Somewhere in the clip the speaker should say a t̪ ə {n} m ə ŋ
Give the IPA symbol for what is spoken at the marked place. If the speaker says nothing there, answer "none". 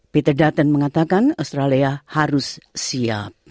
n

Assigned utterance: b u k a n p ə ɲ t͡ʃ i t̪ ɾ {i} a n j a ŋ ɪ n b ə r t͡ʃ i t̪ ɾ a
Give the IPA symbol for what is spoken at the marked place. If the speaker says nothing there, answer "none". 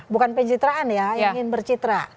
a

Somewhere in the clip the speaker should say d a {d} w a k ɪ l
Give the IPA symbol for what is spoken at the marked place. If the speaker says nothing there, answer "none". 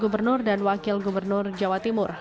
n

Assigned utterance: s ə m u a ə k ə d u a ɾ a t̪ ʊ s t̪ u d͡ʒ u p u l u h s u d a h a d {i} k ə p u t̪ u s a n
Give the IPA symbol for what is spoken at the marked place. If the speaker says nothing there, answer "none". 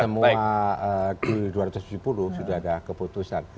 a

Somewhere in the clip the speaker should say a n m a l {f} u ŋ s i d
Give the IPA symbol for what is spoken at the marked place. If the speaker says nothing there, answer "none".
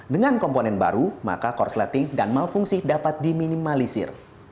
f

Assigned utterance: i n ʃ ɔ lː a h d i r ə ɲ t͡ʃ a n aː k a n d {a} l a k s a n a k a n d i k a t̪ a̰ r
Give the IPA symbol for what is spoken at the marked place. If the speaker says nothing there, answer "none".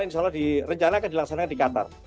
i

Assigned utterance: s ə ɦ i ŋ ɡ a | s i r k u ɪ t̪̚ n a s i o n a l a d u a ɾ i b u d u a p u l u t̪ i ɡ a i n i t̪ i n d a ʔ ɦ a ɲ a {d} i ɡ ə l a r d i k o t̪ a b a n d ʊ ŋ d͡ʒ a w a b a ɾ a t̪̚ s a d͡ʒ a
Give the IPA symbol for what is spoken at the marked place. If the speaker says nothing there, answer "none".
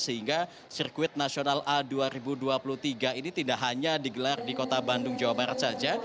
d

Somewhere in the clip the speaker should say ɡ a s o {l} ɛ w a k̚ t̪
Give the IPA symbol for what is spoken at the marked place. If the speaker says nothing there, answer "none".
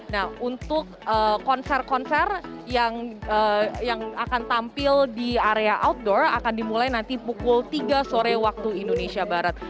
ɾ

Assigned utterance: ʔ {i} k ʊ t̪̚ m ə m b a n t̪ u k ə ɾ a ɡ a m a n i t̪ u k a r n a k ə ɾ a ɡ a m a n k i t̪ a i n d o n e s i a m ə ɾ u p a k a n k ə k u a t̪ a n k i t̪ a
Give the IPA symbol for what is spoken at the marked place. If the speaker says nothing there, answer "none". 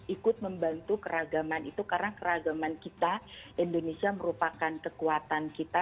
i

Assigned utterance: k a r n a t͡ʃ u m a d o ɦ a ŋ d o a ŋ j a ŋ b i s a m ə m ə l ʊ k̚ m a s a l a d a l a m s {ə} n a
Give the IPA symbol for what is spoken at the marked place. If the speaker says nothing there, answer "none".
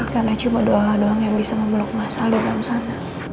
a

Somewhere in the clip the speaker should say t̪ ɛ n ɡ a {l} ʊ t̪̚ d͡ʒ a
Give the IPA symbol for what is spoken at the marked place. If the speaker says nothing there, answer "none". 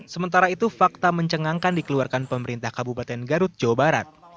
ɾ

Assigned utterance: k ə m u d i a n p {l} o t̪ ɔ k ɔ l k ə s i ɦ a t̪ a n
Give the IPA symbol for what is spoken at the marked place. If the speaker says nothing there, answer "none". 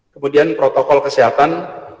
ɾ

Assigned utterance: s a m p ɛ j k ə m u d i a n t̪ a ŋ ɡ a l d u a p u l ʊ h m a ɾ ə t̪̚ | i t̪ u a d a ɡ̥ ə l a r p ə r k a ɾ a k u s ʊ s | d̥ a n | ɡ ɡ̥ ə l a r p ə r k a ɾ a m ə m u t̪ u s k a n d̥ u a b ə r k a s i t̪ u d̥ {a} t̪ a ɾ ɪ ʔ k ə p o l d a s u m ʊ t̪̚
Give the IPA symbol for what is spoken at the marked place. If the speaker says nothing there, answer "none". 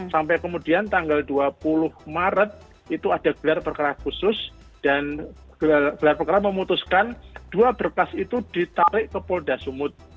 i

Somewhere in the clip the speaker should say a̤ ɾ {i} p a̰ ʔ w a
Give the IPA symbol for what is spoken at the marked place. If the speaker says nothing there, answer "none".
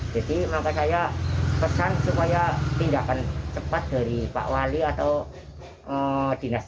i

